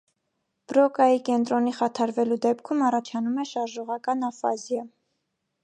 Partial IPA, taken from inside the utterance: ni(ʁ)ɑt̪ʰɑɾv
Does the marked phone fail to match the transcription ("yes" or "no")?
yes